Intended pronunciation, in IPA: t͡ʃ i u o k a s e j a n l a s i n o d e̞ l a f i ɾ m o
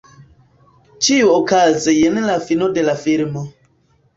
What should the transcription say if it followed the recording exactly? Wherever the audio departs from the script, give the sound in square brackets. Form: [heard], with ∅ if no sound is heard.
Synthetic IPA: t͡ʃ i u o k a [z] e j [e] n l a [f] i n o d e̞ l a f i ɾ m o